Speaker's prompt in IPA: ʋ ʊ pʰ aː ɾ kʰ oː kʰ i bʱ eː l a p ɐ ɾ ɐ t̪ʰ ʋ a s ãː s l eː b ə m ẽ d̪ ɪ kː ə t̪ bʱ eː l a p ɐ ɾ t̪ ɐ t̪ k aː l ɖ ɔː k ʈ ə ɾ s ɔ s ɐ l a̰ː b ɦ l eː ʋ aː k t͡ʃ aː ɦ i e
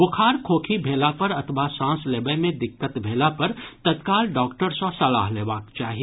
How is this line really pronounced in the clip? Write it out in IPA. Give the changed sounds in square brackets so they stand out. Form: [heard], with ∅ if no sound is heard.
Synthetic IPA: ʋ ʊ [kʰ] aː ɾ kʰ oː kʰ i bʱ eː l a p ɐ ɾ ɐ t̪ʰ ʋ a s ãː s l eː b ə m ẽ d̪ ɪ kː ə t̪ bʱ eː l a p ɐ ɾ t̪ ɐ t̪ k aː l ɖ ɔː k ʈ ə ɾ s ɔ s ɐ l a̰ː [∅] ɦ l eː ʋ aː k t͡ʃ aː ɦ i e

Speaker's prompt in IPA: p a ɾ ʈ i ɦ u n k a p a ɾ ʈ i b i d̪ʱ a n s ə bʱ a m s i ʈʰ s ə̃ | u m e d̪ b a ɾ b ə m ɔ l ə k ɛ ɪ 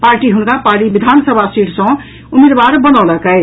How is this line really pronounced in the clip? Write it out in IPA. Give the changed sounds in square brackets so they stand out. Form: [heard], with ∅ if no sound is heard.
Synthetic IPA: p a ɾ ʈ i ɦ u n k a p a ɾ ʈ i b i d̪ʱ a n s ə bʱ a [∅] s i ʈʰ s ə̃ | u m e d̪ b a ɾ b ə [n] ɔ l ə k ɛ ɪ

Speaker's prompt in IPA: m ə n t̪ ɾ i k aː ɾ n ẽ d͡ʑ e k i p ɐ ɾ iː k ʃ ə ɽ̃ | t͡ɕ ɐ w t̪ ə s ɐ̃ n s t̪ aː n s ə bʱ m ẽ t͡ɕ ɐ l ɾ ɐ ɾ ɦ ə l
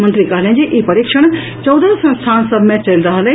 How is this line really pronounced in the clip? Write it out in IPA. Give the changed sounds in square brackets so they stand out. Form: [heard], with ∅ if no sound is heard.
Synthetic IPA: m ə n t̪ ɾ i k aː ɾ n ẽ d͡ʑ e [ʔ] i p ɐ ɾ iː k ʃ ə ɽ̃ | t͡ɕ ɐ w [d̪] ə s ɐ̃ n s [t̪ʰ] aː n s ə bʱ m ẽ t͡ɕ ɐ l ɾ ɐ [∅] ɦ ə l

